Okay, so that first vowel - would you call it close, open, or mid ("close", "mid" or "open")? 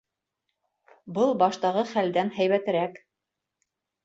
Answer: mid